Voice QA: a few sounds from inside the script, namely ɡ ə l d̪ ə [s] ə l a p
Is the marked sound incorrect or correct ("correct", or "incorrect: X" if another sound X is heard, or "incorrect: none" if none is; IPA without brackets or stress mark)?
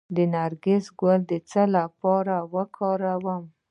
incorrect: t͡s